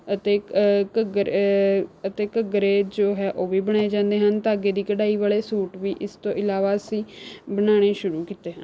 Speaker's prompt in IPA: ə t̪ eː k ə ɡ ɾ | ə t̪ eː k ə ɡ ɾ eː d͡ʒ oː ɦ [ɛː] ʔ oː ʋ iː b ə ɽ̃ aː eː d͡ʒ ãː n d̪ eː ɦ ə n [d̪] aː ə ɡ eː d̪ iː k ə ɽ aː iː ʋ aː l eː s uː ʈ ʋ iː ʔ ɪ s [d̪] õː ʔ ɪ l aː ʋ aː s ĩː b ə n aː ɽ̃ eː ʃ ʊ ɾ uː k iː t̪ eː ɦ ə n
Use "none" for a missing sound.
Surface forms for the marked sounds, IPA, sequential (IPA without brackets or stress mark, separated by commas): ɛː, t̪, t̪